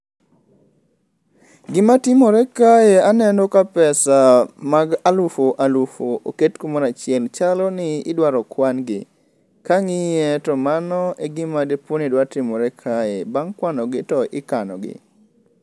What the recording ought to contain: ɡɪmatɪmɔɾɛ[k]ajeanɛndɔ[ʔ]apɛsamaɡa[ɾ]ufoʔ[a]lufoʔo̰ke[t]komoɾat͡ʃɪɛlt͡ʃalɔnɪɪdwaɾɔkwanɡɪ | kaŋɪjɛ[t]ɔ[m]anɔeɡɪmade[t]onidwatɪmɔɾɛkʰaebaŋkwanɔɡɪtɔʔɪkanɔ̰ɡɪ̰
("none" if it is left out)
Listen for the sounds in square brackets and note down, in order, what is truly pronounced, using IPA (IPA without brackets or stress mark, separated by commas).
k, k, l, a, t, t, m, p